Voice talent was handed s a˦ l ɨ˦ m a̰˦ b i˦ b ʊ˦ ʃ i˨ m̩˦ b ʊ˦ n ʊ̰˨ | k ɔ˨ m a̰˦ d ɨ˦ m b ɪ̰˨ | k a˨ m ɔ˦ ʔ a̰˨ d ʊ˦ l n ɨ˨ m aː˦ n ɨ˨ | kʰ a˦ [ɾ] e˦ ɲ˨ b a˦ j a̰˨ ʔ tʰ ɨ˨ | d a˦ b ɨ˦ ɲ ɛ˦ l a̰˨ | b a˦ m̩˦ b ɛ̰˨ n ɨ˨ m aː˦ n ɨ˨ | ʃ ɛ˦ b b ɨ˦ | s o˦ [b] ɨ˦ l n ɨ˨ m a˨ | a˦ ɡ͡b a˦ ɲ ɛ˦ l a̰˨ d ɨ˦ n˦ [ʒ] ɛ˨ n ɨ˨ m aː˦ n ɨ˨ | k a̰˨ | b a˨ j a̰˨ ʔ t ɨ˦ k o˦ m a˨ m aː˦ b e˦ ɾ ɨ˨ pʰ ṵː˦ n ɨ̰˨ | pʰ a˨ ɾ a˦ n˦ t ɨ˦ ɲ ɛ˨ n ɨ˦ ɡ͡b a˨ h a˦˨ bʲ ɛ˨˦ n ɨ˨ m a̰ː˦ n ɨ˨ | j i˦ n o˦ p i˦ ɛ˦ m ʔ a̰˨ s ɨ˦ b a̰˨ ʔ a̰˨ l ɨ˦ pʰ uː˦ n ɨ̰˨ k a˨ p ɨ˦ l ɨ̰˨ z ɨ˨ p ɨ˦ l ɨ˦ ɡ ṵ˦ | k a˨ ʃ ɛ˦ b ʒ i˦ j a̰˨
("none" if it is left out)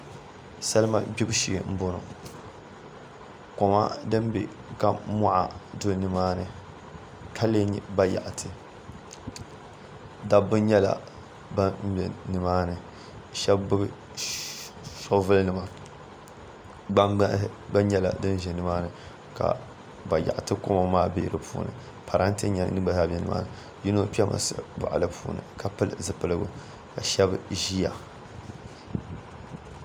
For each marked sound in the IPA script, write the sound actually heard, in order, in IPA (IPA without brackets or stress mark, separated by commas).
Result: l, v, ʒ